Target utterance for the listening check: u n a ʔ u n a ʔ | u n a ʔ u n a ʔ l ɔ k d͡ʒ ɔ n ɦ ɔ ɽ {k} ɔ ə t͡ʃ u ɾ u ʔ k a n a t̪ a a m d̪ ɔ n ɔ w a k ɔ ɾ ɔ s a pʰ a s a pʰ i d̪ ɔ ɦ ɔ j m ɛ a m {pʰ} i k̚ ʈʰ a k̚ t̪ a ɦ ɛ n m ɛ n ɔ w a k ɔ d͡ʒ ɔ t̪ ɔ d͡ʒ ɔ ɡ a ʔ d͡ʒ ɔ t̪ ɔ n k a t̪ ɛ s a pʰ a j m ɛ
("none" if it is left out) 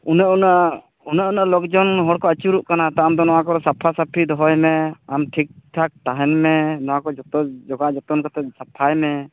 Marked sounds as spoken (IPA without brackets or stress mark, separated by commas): k, ʈʰ